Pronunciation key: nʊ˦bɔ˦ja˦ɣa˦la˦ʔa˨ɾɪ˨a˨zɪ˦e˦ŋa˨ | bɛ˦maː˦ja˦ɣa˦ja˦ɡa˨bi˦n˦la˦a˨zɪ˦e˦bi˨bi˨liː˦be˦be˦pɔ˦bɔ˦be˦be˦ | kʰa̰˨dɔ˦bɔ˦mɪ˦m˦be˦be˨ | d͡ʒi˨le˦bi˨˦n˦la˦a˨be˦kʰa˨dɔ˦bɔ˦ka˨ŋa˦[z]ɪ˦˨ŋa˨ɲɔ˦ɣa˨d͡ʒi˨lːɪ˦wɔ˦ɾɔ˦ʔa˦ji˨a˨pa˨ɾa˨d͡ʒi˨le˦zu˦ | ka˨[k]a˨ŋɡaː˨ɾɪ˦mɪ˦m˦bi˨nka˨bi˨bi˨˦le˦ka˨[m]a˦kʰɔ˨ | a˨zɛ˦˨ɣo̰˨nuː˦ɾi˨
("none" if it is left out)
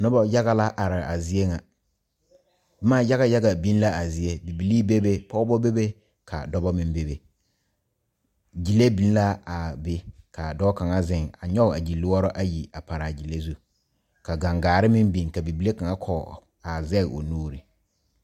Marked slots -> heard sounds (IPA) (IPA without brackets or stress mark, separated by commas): z, ɡ, ŋ